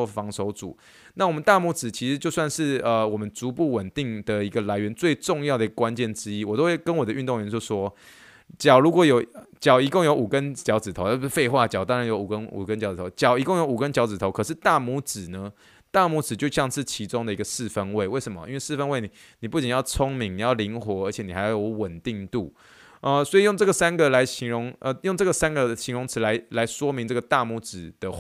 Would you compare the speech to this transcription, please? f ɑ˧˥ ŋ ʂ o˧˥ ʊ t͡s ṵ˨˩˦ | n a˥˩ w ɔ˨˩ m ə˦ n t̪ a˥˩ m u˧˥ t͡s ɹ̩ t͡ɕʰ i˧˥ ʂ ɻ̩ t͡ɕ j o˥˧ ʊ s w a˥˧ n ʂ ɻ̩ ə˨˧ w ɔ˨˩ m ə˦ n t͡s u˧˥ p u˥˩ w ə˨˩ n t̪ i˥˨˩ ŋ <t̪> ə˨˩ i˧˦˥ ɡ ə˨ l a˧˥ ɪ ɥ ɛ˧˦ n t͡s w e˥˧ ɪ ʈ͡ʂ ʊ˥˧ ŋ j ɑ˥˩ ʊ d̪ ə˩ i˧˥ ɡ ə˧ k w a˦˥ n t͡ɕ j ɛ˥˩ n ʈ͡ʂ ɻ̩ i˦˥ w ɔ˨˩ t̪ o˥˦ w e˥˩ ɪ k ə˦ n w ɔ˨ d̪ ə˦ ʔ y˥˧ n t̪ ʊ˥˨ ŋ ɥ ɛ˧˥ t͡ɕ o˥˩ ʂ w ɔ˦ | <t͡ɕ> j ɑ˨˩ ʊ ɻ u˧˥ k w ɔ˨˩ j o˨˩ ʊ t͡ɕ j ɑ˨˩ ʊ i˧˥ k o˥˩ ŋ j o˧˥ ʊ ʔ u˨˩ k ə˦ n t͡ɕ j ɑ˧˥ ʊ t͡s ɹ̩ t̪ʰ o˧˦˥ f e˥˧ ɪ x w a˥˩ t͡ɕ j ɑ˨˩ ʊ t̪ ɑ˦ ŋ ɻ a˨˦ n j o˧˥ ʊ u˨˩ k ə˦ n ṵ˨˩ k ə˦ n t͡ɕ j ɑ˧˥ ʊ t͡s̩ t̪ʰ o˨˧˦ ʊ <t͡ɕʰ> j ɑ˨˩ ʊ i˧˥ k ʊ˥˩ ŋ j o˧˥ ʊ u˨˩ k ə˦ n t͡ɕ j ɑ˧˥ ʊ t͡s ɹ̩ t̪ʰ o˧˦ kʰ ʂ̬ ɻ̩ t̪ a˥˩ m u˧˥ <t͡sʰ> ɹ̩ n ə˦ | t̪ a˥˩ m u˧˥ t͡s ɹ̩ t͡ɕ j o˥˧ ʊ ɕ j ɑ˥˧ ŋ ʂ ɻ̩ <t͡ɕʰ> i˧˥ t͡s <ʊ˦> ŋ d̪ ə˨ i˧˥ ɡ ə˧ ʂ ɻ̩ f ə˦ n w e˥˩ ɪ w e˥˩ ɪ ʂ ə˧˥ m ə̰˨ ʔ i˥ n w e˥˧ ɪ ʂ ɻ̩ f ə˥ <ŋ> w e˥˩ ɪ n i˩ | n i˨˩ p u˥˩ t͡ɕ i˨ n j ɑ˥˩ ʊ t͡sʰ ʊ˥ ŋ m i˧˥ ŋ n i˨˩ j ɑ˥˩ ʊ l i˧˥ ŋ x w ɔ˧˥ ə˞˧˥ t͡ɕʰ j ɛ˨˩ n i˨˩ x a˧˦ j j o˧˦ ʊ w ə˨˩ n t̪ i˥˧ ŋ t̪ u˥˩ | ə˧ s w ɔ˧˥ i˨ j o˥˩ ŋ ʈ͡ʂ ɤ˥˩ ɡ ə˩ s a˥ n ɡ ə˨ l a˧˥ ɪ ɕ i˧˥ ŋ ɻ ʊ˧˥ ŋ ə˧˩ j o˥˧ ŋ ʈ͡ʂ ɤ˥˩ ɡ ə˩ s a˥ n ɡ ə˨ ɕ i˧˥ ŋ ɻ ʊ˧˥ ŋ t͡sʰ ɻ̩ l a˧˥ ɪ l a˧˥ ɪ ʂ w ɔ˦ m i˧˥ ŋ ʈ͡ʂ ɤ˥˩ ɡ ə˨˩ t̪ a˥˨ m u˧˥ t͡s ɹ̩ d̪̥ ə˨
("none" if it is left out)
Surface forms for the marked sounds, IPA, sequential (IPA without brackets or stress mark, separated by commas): d̪, t͡ɕ, t͡ɕ, t͡s, t͡ɕʰ, ʊ˦, n